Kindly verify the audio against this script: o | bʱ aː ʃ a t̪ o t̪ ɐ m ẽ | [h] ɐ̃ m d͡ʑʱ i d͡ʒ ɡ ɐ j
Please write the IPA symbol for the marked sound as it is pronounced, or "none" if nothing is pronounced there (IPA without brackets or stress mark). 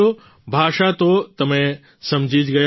s